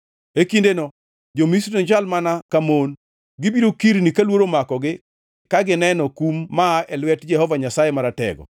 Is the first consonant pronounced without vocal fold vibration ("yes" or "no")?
yes